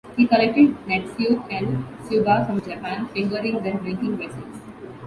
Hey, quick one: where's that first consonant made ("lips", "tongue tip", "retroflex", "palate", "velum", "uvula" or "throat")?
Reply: throat